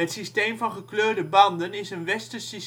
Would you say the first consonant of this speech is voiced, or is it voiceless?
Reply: voiceless